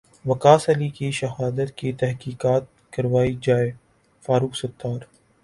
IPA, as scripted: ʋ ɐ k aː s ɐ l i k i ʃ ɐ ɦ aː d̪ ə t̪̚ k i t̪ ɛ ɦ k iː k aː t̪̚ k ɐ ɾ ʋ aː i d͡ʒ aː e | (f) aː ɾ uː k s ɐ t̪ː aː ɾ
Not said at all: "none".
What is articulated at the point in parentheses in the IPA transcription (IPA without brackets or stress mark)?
f